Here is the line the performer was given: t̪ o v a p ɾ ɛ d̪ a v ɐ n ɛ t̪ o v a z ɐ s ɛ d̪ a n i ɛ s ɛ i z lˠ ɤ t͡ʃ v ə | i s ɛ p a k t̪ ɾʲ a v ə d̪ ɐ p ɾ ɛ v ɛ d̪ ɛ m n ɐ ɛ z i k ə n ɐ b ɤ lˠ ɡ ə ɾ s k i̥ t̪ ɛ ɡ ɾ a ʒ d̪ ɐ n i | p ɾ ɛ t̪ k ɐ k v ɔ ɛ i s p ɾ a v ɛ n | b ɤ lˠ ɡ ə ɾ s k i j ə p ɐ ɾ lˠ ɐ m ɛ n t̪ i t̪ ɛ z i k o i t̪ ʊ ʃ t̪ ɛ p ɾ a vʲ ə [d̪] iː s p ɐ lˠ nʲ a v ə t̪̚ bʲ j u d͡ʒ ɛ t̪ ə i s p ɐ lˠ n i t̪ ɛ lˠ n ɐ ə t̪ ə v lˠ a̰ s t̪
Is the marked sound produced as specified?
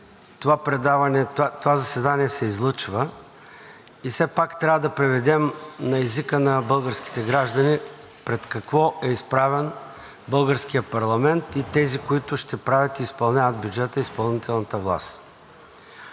no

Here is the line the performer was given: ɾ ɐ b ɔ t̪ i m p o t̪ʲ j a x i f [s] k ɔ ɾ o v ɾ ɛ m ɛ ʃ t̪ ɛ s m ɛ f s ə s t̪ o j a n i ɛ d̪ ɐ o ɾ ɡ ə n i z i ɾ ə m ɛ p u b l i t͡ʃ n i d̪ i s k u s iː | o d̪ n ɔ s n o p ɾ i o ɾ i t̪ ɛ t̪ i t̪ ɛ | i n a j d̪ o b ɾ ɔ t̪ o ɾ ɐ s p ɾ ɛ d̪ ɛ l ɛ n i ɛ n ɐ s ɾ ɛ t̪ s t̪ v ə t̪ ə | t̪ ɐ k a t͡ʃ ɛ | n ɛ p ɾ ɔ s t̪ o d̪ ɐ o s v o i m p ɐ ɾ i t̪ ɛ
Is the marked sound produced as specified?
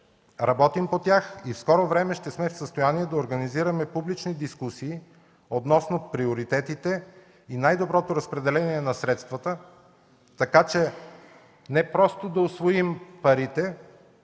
yes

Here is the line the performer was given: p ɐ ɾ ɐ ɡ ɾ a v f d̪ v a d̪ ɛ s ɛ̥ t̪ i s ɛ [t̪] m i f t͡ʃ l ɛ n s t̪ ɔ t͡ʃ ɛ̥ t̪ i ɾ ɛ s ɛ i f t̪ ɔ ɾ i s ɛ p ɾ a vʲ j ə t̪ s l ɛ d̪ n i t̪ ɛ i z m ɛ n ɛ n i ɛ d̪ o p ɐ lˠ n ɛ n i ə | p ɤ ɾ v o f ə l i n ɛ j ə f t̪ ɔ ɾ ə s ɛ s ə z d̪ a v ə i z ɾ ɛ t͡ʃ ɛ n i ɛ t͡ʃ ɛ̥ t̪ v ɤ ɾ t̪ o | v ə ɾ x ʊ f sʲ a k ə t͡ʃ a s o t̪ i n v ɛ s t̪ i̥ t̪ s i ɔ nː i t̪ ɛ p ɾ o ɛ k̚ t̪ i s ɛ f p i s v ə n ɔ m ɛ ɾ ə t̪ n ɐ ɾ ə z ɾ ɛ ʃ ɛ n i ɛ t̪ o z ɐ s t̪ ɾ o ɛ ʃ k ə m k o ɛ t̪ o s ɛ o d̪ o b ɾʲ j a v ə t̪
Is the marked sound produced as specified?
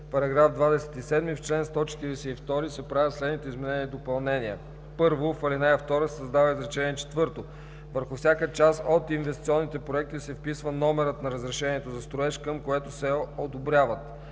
no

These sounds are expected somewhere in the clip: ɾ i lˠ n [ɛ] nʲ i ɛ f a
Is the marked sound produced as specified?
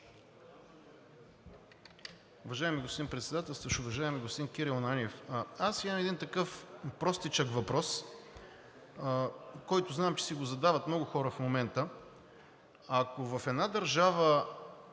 no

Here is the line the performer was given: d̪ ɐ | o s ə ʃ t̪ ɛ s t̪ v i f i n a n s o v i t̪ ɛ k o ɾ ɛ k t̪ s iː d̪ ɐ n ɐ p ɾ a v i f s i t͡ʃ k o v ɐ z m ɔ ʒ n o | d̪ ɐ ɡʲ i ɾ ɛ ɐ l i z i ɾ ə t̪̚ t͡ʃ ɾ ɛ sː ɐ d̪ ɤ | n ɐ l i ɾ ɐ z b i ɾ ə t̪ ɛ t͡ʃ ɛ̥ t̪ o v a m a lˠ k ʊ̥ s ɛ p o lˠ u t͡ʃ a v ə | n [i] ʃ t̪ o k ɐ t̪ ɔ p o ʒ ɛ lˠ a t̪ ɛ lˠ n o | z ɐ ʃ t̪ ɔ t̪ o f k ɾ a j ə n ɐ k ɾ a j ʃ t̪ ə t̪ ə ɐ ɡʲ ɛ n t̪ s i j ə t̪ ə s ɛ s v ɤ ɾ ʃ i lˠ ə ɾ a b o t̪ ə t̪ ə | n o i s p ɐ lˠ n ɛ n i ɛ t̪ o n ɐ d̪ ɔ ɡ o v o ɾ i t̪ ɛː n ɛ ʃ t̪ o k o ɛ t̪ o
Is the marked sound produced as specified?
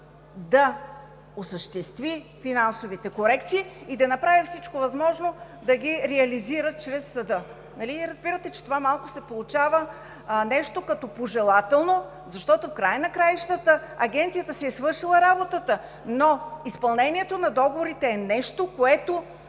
no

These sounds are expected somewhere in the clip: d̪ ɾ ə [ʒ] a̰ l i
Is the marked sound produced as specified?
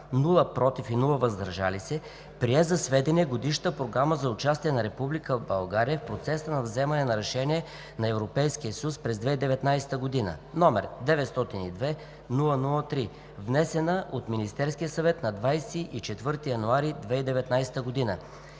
yes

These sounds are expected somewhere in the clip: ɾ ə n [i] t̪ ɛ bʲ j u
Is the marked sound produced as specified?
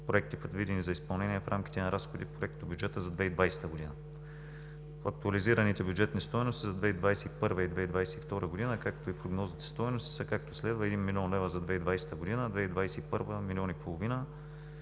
yes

